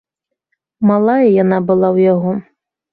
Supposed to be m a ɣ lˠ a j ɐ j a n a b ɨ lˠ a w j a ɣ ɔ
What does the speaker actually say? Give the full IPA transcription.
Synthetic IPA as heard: m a lˠ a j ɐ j a n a b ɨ lˠ a w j a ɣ ɔ